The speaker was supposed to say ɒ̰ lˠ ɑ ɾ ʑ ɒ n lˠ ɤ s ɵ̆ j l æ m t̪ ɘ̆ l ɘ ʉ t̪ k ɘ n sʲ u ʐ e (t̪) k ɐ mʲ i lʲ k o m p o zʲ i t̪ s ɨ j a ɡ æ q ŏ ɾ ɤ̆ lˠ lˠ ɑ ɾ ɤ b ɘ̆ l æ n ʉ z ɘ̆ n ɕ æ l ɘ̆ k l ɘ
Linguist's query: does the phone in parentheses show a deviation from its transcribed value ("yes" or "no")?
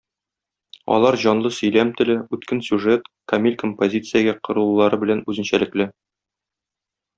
no